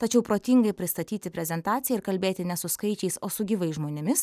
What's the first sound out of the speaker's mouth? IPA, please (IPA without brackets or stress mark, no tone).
t̪